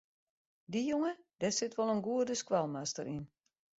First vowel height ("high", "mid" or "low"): high